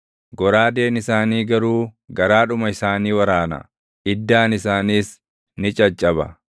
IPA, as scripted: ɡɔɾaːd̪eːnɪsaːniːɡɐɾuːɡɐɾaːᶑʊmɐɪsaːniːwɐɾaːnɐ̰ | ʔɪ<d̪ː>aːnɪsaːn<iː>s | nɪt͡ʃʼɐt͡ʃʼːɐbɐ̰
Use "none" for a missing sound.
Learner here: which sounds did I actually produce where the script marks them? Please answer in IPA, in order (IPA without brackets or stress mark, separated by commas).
d̪ː, iː